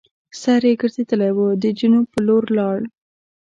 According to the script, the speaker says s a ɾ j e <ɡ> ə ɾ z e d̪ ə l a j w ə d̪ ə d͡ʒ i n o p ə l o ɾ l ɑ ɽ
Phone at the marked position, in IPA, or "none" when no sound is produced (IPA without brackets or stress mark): ɡ